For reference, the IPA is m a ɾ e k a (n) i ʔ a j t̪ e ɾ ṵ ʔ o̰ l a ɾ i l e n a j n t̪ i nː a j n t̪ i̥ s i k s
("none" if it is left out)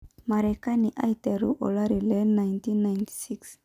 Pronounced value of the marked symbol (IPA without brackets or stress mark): n